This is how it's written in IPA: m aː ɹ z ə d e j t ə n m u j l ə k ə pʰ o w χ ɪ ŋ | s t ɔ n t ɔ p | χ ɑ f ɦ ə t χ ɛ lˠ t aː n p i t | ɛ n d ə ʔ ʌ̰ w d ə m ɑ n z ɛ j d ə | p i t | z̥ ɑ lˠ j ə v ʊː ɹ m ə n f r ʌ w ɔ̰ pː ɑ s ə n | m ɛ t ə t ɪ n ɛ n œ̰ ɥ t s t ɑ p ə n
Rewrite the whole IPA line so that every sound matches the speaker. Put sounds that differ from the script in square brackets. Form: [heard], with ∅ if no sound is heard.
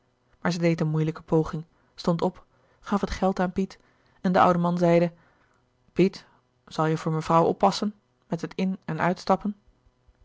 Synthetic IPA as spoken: m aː ɹ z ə d e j t ə n m u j l ə k ə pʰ o w χ ɪ ŋ | s t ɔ n t ɔ p | χ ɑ f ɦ ə t χ ɛ lˠ t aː n p i t | ɛ n d ə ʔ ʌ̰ w d ə m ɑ n z ɛ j d ə | p i t | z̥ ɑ lˠ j ə v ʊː ɹ m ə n [v] r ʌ w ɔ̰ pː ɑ s ə n | m ɛ t ə t ɪ n ɛ n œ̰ ɥ t s t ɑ p ə n

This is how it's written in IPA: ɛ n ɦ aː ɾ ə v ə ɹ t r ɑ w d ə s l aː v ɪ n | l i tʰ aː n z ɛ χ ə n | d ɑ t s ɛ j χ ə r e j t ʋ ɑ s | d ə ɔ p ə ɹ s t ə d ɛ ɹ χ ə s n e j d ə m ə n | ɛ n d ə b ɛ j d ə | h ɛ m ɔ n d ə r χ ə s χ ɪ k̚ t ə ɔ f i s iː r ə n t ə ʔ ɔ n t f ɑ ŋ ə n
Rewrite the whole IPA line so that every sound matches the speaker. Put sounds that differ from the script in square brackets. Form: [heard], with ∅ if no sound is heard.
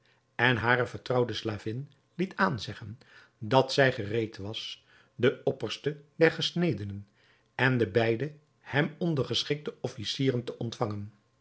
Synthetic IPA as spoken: ɛ n ɦ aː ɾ ə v ə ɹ t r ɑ w d ə s l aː v ɪ n | l i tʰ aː n z ɛ χ ə n | d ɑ t s ɛ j χ ə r e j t ʋ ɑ s | d ə ɔ p ə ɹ s t ə d ɛ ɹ χ ə s n e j d ə [n] ə n | ɛ n d ə b ɛ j d ə | h ɛ m ɔ n d ə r χ ə s χ ɪ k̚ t ə ɔ f i s iː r ə n t ə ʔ ɔ n t f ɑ ŋ ə n

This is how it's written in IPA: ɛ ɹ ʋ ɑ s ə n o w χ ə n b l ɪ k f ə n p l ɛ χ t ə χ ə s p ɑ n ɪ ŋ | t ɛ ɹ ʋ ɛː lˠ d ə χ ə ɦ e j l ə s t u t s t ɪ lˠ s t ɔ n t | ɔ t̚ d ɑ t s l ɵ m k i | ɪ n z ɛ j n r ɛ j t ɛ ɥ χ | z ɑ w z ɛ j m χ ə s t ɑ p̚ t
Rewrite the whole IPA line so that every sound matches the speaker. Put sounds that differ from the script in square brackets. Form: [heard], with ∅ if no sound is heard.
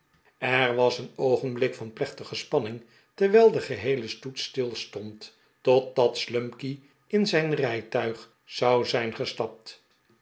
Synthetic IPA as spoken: ɛ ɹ ʋ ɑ s ə n o w χ ə n b l ɪ k f [ɑ] n p l ɛ χ t ə χ ə s p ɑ n ɪ ŋ | t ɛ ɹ ʋ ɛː lˠ d ə χ ə ɦ e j l ə s t u t s t ɪ lˠ s t ɔ n t | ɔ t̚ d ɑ t s l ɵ m k i | ɪ n z ɛ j n r ɛ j t [œ] ɥ χ | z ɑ w z ɛ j [n] χ ə s t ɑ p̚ t

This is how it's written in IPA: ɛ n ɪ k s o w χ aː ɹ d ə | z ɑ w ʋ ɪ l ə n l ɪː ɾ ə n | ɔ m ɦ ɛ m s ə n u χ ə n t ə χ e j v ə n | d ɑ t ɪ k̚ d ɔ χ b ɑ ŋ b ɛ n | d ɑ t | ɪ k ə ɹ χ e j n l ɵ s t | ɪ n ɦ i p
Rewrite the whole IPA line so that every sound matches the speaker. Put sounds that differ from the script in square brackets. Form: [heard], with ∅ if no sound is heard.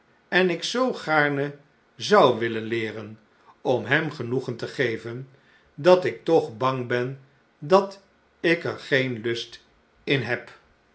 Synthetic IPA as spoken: ɛ n ɪ k s o w χ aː ɹ [n] ə | z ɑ w ʋ ɪ l ə n l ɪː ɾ ə n | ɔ m ɦ ɛ m [χ] ə n u χ ə n t ə χ e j v ə n | d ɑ t ɪ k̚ [t] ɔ χ b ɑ ŋ b ɛ n | d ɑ t | ɪ k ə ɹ χ e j n l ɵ s t | ɪ n ɦ [ɛ] p

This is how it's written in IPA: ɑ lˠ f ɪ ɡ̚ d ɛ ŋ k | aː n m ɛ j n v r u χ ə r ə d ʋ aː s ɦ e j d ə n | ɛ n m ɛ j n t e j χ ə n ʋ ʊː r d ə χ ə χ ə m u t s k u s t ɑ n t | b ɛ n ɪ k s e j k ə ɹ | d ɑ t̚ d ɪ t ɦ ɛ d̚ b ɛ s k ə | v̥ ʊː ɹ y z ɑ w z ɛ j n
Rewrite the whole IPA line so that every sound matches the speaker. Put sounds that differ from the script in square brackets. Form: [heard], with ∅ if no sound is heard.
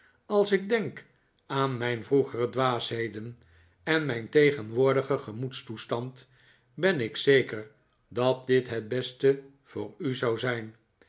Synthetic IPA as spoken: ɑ lˠ [s] ɪ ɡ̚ d ɛ ŋ k | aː n m ɛ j n v r u χ ə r ə d ʋ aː s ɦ e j d ə n | ɛ n m ɛ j n t e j χ ə n ʋ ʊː [ɹ] d ə χ ə χ ə m u t s [t] u s t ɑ n t | b ɛ n ɪ k s e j k ə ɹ | d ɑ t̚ d ɪ t ɦ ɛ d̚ b ɛ s [t] ə | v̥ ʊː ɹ y z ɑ w z ɛ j n

